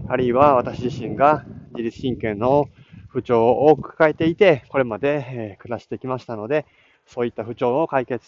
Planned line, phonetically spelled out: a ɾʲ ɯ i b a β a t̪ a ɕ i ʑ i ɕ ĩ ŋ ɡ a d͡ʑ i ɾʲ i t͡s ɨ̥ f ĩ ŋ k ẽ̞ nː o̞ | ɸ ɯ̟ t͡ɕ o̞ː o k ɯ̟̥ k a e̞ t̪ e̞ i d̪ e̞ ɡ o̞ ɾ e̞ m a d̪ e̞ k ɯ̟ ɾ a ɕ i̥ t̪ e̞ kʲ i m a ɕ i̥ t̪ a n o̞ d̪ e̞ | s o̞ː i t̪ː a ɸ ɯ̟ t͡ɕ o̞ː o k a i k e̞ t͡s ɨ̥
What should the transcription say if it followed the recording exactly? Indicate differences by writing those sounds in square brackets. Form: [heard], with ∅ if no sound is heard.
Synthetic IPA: a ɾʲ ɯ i [β] a β a t̪ a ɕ i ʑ i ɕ ĩ ŋ ɡ a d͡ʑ i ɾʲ i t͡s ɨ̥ [ɕ] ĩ ŋ k ẽ̞ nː o̞ | ɸ ɯ̟ t͡ɕ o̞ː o k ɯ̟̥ k a e̞ t̪ e̞ i [t̪] e̞ [k] o̞ ɾ e̞ m a d̪ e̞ k ɯ̟ ɾ a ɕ i̥ t̪ e̞ kʲ i m a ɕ i̥ t̪ a n o̞ d̪ e̞ | s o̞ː i t̪ː a ɸ ɯ̟ t͡ɕ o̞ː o k a i k e̞ t͡s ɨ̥